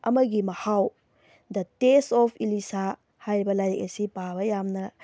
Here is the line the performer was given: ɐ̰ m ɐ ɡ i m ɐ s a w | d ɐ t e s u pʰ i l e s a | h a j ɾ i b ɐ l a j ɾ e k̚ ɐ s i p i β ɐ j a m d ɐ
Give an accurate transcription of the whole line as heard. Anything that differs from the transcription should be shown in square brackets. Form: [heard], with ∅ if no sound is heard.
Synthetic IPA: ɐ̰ m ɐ ɡ i m ɐ [h] a w | d ɐ t e s [ɔ] pʰ i l [i] s a | h a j ɾ i b ɐ l a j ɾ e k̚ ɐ s i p [a] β ɐ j a m [n] ɐ